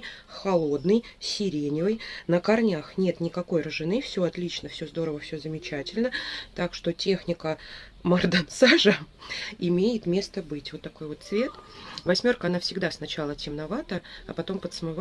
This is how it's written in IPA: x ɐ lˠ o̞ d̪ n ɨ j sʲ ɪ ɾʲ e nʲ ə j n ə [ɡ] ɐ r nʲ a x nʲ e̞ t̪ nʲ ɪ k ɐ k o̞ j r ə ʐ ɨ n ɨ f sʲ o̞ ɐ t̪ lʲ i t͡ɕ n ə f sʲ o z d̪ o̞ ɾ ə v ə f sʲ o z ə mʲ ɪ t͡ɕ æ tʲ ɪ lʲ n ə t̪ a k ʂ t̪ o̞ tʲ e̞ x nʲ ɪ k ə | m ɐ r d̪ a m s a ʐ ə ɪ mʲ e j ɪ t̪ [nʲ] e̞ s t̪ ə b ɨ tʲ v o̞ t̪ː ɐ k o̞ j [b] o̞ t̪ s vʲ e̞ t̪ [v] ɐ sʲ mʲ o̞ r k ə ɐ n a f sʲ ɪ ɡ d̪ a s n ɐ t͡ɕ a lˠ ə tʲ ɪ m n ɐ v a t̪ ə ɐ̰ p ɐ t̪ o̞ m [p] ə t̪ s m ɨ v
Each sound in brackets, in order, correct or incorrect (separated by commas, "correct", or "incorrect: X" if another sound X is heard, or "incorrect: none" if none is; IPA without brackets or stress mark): incorrect: k, incorrect: mʲ, incorrect: v, correct, correct